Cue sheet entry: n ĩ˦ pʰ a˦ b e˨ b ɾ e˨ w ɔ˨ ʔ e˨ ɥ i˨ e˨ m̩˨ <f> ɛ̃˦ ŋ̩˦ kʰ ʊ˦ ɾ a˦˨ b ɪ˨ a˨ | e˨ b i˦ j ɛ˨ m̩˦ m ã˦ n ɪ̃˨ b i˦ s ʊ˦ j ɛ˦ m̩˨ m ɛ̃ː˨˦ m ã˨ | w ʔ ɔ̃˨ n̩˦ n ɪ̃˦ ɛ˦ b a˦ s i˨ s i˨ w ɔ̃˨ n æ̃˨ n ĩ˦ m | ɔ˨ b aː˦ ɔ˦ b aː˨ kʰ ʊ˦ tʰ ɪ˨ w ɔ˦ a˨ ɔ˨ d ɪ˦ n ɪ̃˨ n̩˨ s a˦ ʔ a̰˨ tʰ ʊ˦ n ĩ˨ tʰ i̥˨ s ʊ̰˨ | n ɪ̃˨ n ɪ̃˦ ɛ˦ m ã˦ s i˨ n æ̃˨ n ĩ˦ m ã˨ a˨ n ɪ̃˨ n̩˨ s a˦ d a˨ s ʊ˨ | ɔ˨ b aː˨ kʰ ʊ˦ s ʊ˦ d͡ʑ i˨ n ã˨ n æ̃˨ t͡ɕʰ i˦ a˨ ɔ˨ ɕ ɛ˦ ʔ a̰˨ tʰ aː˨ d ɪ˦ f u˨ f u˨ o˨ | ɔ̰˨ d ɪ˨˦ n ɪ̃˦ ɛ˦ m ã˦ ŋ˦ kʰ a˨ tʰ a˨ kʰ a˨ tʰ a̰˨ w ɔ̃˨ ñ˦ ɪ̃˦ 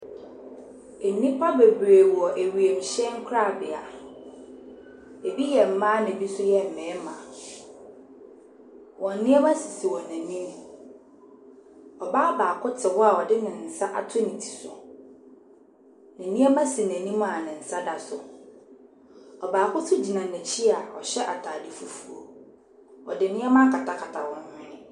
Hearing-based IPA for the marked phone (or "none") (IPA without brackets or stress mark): ɕ